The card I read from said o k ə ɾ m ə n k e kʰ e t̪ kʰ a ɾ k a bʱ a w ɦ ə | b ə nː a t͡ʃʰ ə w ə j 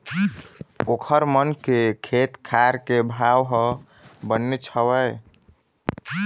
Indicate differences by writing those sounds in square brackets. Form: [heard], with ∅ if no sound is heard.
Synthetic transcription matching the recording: o [kʰ] ə ɾ m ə n k e kʰ e t̪ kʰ a ɾ k [e] bʱ a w ɦ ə | b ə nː [e] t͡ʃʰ ə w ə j